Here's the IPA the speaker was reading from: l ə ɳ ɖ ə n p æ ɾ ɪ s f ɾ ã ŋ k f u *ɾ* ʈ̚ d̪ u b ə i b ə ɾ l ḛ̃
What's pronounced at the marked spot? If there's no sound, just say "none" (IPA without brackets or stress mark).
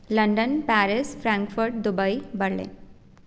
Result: ɾ